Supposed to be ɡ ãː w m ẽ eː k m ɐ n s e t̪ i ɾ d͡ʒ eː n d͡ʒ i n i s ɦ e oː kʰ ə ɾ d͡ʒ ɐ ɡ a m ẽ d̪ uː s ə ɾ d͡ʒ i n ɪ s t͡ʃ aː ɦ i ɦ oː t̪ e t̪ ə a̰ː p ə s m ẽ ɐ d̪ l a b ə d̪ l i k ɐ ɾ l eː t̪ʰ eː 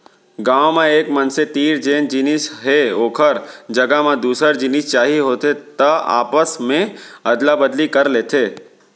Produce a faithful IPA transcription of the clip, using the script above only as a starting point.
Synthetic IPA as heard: ɡ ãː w m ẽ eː k m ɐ n s e t̪ iː ɾ d͡ʒ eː n d͡ʒ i n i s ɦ e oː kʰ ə ɾ d͡ʒ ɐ ɡ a m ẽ d̪ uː s ə ɾ d͡ʒ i n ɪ s t͡ʃ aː ɦ i ɦ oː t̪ e t̪ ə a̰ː p ə s m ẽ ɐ d̪ l a b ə d̪ l i k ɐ ɾ l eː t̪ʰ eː